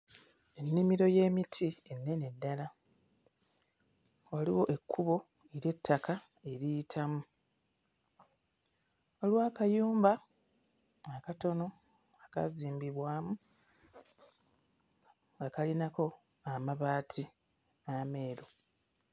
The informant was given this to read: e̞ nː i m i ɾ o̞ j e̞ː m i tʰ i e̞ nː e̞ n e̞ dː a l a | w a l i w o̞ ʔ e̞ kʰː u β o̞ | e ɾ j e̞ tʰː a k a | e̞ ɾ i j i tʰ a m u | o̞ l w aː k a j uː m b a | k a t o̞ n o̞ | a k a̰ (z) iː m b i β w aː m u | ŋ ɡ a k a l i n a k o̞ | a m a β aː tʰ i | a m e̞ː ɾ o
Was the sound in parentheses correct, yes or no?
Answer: yes